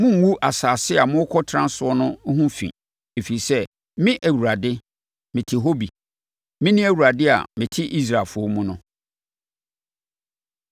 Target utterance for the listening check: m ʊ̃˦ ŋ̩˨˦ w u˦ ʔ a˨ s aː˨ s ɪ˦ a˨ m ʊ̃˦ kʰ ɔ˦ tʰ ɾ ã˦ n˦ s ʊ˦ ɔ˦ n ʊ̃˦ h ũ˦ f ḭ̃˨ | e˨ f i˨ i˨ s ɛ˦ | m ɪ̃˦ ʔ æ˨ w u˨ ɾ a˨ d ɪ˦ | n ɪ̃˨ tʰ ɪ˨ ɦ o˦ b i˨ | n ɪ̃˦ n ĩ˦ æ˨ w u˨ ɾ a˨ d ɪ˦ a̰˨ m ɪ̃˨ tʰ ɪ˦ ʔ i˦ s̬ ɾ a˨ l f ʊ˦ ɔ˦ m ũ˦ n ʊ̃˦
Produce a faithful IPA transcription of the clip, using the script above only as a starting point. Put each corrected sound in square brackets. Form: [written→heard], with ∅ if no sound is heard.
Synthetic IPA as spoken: m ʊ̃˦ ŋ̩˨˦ w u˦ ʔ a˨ s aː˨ s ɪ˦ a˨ m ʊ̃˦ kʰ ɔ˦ tʰ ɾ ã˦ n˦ s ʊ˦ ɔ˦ n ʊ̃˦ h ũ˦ f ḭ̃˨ | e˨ f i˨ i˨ s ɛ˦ | m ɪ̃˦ ʔ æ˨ w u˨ ɾ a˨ d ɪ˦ | [n→m] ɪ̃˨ tʰ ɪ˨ ɦ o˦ b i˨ | [n→m] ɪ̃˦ n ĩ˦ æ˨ w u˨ ɾ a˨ d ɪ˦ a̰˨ m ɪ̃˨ tʰ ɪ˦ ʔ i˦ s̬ ɾ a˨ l f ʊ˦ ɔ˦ m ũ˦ n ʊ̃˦